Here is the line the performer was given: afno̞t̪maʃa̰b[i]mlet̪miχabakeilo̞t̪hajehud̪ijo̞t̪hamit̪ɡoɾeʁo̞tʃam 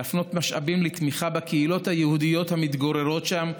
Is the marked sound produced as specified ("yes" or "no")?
yes